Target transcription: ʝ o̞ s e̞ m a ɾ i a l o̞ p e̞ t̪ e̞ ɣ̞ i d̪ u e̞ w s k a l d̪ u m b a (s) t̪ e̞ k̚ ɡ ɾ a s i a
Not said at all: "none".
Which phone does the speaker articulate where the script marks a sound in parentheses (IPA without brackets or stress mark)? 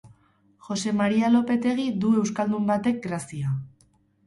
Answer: none